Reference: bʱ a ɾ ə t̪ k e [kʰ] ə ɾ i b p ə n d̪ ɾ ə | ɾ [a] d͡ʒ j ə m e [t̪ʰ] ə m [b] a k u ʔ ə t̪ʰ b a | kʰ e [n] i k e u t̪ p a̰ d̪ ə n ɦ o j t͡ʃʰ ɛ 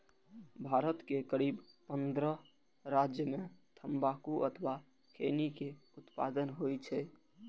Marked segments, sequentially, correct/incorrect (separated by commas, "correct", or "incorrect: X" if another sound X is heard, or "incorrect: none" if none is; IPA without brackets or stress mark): incorrect: k, correct, correct, correct, correct